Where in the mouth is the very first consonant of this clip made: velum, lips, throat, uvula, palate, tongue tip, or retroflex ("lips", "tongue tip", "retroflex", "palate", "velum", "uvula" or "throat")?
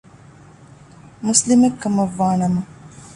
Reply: lips